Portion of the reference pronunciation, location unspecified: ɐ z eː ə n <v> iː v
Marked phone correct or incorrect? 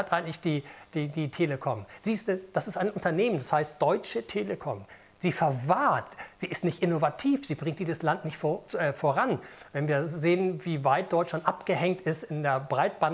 correct